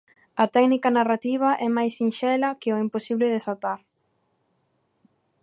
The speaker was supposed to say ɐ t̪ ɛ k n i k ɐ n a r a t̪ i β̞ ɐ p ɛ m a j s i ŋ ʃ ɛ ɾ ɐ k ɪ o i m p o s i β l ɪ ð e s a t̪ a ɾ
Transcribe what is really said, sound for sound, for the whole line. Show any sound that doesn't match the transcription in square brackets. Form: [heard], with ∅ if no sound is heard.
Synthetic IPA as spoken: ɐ t̪ ɛ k n i k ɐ n a r a t̪ i β̞ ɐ [ʔ] ɛ m a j s i [n] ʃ ɛ [l] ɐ k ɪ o i m p o s i β l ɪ ð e s a t̪ a ɾ